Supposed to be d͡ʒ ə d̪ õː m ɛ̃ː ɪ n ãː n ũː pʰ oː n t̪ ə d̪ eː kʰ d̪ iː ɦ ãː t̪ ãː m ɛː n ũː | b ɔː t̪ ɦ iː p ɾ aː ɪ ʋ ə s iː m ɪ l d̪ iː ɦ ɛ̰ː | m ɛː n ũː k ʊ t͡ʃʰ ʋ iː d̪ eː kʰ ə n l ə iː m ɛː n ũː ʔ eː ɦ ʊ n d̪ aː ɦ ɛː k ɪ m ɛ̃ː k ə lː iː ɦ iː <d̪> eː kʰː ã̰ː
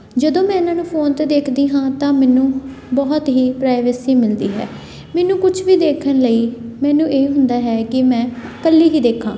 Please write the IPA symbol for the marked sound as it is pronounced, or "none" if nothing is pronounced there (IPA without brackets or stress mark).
d̪